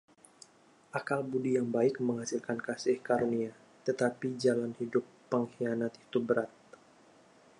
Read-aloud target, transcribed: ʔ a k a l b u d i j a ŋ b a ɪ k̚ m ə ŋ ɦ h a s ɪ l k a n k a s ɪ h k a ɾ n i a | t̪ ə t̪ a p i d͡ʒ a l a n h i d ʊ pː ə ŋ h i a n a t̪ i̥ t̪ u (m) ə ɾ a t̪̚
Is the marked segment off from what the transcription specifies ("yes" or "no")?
yes